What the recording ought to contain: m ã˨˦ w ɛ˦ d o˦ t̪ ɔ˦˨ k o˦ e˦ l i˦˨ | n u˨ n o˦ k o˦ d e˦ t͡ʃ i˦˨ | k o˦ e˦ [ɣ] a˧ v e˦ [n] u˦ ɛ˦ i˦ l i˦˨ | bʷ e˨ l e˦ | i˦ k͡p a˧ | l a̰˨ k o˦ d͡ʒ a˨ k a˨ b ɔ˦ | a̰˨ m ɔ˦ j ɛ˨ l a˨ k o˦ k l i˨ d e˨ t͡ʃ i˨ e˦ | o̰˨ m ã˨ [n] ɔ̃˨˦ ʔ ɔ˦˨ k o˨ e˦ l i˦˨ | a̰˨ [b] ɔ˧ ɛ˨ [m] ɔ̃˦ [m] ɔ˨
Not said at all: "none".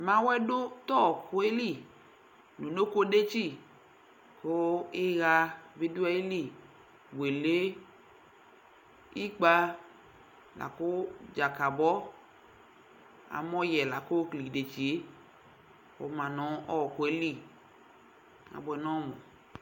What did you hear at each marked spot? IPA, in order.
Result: ɣ, d, n, b, n, m

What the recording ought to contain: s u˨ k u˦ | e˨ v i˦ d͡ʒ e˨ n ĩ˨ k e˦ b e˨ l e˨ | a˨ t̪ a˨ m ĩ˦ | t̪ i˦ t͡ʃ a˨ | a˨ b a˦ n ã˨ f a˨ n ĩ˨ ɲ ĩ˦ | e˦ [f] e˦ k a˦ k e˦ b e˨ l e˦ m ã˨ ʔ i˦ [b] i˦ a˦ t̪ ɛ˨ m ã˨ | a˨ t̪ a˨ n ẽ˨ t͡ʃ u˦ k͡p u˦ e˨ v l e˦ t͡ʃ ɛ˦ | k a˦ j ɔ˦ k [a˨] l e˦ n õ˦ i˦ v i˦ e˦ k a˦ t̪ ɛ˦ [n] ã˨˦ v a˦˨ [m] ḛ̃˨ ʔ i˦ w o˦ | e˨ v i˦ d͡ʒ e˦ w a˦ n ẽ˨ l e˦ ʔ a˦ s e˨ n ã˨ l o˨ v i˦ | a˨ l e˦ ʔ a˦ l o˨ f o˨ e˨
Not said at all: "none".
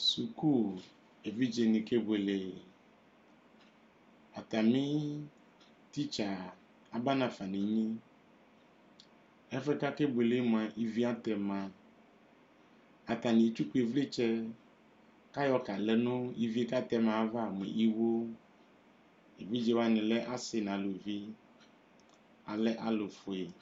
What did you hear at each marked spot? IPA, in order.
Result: f, v, a˨, m, m

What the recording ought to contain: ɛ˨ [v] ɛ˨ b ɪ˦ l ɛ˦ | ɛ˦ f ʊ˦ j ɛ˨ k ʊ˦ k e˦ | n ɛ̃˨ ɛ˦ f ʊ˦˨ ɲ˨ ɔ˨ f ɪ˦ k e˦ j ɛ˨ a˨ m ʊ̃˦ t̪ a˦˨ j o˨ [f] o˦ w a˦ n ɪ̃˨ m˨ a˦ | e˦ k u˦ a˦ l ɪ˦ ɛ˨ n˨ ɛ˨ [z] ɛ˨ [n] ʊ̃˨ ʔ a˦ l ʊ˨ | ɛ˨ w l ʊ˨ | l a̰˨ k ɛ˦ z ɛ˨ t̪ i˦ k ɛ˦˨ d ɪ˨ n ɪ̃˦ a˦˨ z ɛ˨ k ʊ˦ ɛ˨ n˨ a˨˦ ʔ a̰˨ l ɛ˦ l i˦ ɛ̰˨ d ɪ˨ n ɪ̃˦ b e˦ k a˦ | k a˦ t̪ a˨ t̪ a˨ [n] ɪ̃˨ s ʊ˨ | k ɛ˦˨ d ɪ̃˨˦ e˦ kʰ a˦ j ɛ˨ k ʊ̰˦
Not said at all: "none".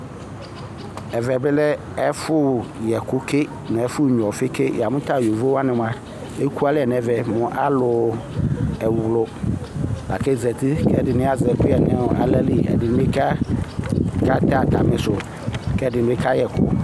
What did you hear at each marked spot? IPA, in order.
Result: v, v, v, m, m

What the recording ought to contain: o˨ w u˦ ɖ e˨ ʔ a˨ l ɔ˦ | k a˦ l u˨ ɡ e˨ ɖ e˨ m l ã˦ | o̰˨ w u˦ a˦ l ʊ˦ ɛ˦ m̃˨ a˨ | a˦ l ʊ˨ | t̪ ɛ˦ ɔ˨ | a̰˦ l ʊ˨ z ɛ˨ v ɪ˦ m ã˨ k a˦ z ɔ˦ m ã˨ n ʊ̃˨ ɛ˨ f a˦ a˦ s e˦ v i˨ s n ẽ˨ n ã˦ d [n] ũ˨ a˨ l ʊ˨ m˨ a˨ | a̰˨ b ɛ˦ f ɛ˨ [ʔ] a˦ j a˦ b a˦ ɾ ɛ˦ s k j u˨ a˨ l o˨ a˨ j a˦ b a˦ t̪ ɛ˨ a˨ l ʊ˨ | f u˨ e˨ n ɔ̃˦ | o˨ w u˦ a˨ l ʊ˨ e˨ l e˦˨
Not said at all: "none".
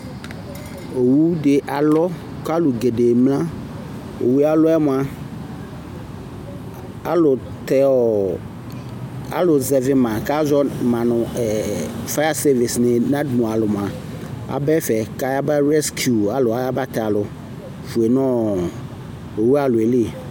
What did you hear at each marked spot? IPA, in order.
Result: m, k

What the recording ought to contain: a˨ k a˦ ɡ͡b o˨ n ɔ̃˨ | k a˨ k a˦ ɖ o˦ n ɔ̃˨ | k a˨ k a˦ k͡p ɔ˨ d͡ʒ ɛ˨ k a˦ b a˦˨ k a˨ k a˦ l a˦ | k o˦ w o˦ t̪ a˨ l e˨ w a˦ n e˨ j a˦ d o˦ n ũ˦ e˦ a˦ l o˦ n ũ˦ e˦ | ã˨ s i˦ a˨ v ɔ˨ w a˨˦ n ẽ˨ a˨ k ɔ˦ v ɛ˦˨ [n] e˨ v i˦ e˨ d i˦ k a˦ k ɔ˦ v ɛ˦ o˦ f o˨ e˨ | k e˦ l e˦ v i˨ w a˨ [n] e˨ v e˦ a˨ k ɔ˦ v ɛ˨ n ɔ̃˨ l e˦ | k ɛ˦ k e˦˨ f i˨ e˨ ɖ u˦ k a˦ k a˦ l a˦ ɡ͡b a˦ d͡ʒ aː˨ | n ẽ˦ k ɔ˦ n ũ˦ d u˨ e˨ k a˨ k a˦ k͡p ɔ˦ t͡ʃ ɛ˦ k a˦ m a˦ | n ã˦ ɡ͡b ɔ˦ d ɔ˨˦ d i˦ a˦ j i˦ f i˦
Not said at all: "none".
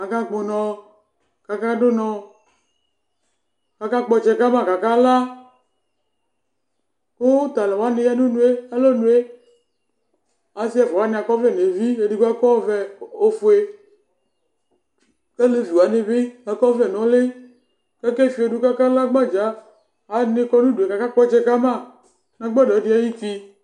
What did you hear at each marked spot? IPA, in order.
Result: n, n

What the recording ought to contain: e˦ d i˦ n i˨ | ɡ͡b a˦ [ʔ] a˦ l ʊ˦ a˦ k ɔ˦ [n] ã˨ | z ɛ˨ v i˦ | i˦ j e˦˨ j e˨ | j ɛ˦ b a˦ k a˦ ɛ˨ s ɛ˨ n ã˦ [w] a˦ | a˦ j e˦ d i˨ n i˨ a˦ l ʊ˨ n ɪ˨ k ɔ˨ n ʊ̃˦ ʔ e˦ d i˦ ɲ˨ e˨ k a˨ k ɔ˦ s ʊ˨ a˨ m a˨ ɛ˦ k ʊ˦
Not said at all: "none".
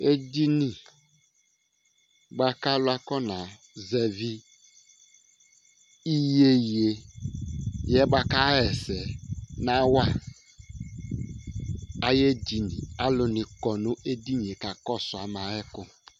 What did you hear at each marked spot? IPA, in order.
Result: k, n, w

